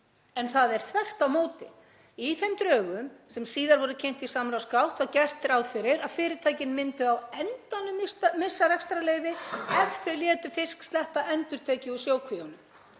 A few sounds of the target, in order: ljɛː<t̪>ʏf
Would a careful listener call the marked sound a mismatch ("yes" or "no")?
no